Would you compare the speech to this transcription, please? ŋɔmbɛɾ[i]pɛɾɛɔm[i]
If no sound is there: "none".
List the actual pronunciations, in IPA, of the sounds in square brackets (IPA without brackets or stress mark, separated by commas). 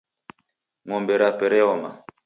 a, a